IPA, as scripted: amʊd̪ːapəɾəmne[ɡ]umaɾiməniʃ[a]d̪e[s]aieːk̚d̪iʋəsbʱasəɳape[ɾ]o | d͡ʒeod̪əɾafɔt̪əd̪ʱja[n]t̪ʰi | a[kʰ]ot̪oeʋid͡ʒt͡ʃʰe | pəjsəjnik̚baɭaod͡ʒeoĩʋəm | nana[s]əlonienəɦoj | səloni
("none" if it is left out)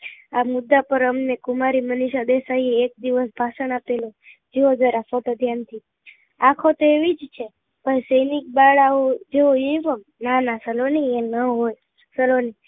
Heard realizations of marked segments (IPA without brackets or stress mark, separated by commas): k, a, s, l, n, kʰ, s